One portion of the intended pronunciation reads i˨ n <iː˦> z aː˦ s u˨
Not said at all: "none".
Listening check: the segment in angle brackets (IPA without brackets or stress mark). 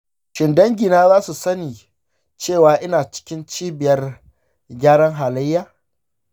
aː˦